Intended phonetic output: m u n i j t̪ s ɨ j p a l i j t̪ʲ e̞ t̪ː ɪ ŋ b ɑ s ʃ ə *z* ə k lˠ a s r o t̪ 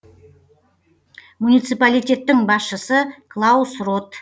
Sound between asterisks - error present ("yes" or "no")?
yes